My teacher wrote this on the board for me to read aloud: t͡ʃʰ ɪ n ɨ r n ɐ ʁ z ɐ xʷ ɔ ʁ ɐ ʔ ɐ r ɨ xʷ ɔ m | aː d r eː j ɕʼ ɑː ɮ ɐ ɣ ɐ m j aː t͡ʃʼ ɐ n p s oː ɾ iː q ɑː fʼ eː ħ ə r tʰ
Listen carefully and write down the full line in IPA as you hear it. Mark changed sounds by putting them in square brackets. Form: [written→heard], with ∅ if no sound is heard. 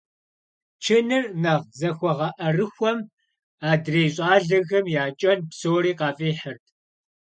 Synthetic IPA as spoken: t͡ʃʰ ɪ n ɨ r n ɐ ʁ z ɐ xʷ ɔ ʁ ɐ ʔ ɐ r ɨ xʷ ɔ m | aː d r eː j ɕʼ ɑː ɮ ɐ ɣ ɐ m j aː t͡ʃʼ ɐ n p s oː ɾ iː q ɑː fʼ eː ħ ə r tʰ